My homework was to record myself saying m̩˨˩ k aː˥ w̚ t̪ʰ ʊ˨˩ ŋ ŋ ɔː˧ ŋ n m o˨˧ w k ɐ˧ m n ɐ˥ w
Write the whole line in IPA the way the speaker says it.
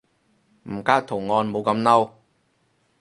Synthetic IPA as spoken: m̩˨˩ k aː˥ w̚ t̪ʰ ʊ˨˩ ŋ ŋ ɔː˧ n m o˨˧ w k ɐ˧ m n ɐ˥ w